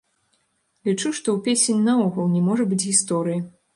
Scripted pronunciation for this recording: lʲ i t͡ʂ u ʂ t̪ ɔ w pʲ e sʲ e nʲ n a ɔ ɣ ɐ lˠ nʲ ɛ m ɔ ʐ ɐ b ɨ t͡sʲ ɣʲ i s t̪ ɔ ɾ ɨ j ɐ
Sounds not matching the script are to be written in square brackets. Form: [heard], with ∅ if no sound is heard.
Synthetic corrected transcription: lʲ i t͡ʂ u ʂ t̪ ɔ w pʲ e sʲ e nʲ n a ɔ ɣ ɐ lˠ nʲ ɛ m ɔ ʐ ɐ b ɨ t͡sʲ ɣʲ i s t̪ ɔ ɾ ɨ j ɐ